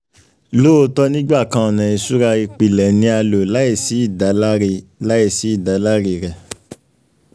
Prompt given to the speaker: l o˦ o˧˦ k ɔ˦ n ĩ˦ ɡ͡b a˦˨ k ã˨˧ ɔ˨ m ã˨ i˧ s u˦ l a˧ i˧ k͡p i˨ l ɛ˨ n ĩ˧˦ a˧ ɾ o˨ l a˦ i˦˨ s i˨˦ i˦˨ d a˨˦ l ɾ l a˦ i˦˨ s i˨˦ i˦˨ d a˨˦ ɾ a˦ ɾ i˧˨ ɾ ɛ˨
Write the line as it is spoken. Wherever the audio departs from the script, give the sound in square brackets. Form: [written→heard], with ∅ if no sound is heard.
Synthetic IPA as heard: l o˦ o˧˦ [k→t] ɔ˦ n ĩ˦ ɡ͡b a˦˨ k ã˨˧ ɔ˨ [m→n] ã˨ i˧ s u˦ [l→ɾ] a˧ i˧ k͡p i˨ l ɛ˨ n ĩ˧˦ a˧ [ɾ→l] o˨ l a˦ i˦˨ s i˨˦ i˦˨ d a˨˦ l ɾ l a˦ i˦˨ s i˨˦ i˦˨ d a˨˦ [ɾ→l] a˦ ɾ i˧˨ ɾ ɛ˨